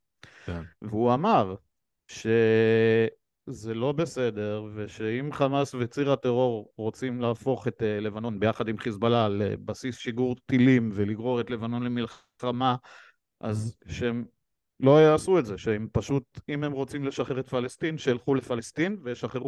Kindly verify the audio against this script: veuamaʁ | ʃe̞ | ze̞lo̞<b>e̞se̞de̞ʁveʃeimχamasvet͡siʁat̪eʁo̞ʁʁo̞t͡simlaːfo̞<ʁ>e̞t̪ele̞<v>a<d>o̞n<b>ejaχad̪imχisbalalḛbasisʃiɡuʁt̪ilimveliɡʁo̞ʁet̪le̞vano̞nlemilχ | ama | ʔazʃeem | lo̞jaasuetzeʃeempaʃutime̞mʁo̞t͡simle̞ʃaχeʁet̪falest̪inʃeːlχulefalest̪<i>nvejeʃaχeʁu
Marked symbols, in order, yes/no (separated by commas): yes, no, yes, no, yes, yes